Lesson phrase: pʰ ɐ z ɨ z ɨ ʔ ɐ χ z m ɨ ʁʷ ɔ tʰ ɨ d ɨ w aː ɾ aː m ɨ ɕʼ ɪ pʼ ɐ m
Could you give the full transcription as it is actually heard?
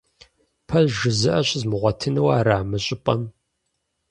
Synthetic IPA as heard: pʰ ɐ ʒ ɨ z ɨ ʔ ɐ ɕ z m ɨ ʁʷ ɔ tʰ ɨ n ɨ w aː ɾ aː m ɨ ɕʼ ɪ pʼ ɐ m